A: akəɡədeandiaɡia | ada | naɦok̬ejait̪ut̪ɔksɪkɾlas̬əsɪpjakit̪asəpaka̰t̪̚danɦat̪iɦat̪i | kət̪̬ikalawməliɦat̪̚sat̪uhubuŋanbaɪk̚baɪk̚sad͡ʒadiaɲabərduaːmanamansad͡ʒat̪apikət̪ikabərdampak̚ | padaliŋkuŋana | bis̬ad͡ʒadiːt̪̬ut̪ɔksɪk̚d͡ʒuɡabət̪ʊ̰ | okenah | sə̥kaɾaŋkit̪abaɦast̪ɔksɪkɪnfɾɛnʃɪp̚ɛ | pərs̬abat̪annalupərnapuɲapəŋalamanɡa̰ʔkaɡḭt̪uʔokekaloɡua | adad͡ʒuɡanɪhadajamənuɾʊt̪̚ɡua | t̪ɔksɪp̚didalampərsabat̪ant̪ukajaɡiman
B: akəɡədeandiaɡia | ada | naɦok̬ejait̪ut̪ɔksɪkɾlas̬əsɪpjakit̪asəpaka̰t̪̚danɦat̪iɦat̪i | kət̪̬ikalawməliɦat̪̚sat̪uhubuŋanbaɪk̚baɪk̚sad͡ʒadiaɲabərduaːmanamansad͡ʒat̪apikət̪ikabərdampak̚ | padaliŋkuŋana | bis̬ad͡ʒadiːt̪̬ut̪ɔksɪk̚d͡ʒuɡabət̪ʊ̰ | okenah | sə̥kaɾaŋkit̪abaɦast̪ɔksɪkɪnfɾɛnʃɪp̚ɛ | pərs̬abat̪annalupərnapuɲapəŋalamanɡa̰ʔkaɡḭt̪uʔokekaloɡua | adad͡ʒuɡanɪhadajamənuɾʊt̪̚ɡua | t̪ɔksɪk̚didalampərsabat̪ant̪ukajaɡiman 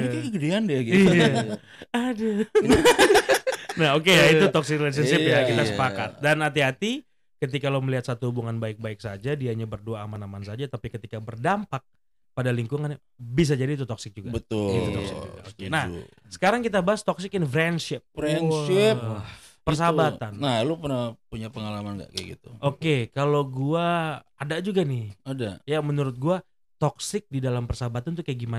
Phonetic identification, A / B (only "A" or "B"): B